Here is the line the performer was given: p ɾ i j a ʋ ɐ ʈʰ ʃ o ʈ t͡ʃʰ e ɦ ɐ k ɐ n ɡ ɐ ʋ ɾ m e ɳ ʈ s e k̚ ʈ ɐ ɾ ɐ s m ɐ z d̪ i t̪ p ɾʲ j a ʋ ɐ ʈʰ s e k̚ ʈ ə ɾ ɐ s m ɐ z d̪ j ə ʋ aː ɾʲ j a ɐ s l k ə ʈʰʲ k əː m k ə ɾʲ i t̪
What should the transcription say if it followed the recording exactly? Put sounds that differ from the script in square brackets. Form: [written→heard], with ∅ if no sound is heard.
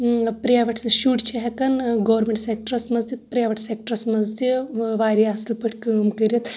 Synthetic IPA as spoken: p ɾ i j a ʋ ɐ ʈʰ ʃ [o→u] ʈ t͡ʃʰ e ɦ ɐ k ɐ n ɡ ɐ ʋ ɾ m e ɳ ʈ s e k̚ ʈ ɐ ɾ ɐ s m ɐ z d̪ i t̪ p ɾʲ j a ʋ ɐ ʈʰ s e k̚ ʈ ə ɾ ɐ s m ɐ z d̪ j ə ʋ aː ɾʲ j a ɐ s l [k→p] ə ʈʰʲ k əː m k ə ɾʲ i t̪

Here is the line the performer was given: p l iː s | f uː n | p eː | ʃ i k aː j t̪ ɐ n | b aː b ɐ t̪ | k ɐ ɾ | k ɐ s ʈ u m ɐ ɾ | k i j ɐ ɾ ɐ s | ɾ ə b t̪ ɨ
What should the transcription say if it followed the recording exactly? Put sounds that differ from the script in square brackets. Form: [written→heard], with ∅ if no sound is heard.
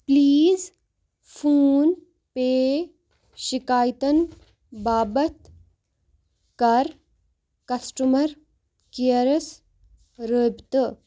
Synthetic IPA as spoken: p l iː [s→z] | f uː n | p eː | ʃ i k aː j t̪ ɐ n | b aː b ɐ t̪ | k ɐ ɾ | k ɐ s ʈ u m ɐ ɾ | k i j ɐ ɾ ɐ s | ɾ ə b t̪ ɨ

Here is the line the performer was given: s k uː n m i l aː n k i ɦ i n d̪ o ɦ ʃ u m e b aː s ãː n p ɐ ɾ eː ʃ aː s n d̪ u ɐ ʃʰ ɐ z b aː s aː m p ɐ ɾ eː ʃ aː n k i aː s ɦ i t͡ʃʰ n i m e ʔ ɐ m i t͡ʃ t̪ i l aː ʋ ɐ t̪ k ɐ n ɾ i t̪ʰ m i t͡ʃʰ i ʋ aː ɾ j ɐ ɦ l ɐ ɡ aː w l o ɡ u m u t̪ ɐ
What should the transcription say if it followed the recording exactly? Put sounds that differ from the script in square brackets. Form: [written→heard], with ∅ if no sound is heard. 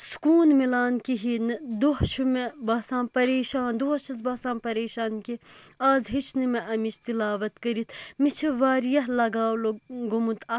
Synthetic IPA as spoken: s k uː n m i l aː n k i ɦ i n d̪ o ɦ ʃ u m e b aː s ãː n p ɐ ɾ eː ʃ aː [s→∅] n d̪ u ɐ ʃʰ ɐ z b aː s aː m p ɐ ɾ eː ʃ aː n k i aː [s→z] ɦ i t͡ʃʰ n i m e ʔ ɐ m i t͡ʃ t̪ i l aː ʋ ɐ t̪ k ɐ [n→∅] ɾ i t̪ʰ m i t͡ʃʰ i ʋ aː ɾ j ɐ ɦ l ɐ ɡ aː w l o ɡ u m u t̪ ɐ

